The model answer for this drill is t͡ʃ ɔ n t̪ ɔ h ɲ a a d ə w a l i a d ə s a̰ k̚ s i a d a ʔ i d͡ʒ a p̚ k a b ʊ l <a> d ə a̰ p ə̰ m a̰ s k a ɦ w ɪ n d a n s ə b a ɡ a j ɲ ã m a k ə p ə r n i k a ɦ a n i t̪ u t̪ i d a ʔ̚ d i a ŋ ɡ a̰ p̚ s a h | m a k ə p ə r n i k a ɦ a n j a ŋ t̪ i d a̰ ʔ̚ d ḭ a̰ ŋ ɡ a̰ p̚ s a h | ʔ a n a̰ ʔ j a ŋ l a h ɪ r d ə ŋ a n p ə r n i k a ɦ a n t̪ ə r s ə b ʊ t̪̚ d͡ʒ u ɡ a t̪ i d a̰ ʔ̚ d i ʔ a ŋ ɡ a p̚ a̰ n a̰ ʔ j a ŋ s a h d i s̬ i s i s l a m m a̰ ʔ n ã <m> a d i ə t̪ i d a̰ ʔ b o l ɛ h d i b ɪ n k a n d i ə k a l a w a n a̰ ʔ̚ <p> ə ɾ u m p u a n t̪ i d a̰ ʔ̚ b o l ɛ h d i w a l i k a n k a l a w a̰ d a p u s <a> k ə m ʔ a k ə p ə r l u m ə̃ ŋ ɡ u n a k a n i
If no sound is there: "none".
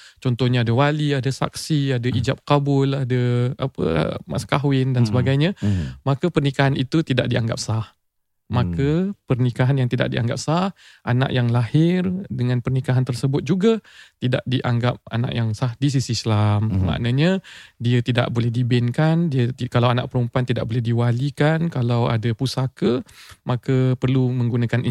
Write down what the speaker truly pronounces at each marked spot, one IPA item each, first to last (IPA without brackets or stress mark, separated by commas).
a, ɲ, p, a